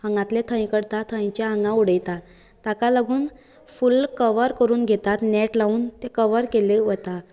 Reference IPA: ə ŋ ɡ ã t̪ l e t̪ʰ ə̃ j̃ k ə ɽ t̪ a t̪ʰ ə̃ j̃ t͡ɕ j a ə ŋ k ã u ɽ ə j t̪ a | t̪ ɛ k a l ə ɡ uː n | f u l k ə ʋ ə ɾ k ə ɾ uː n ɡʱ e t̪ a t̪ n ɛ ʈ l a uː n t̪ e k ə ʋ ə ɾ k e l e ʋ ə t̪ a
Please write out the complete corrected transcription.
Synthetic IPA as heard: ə ŋ ɡ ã t̪ l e t̪ʰ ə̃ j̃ k ə ɽ t̪ a t̪ʰ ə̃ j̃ t͡ɕ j a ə ŋ ɡ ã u ɽ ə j t̪ a | t̪ a k a l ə ɡ uː n | f u l k ə ʋ ə ɾ k ə ɾ uː n ɡʱ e t̪ a t̪ n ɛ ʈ l a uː n t̪ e k ə ʋ ə ɾ k e l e ʋ ə t̪ a

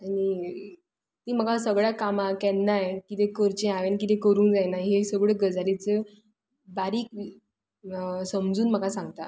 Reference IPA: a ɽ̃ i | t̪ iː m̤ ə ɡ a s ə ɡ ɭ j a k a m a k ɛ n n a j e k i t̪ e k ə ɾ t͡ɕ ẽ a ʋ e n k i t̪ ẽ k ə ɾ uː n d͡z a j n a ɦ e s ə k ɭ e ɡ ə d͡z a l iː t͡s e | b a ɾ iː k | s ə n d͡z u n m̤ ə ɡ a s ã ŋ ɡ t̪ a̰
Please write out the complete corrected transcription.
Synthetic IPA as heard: a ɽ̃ i | t̪ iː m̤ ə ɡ a s ə ɡ ɭ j a k a m a k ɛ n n a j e k i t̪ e k ə ɾ t͡ɕ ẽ a ʋ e n k i t̪ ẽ k ə ɾ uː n d͡z a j n a ɦ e s ə ɡ ɭ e ɡ ə d͡z a l i t͡s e | b a ɾ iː k | s ə m d͡z uː n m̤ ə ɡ a s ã ŋ ɡ t̪ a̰

